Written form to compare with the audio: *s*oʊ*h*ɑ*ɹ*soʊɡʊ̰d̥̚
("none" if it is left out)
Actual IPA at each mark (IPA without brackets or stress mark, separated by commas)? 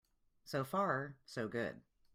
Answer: s, f, ɹ